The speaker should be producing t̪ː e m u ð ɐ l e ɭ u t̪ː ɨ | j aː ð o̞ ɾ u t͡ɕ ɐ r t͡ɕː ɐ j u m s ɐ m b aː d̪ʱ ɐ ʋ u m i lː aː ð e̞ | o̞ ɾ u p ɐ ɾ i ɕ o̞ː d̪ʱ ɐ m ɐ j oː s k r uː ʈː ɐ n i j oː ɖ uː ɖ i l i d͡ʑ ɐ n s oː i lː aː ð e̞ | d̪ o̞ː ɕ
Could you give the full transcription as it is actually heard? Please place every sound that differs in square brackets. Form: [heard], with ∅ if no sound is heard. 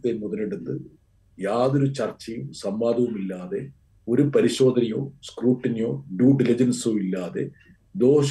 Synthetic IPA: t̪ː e m u ð ɐ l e [ɽ] u t̪ː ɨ | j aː ð o̞ ɾ u t͡ɕ ɐ r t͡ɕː ɐ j u m s ɐ m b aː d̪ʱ ɐ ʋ u m i lː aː ð e̞ | o̞ ɾ u p ɐ ɾ i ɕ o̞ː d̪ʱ ɐ [n] ɐ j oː s k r uː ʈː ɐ n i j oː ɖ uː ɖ i l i d͡ʑ ɐ n s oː i lː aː ð e̞ | d̪ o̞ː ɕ